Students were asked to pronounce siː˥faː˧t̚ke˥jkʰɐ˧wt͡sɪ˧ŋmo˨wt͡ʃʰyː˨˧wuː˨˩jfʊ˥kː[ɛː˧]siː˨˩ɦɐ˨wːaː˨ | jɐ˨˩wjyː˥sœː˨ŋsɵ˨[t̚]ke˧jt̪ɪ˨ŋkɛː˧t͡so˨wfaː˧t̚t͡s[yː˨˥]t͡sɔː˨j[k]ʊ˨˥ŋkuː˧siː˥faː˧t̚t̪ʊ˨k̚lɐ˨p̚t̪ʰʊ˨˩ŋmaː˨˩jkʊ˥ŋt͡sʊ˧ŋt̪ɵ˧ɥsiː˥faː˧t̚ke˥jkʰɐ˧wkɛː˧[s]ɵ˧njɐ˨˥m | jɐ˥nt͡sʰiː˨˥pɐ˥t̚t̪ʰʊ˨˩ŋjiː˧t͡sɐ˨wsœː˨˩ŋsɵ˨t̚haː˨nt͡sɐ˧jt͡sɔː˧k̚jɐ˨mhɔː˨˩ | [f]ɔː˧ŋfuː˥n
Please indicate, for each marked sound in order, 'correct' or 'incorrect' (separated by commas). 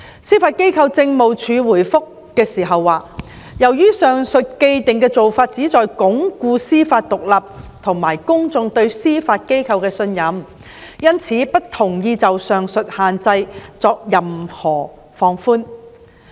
correct, correct, incorrect, correct, correct, correct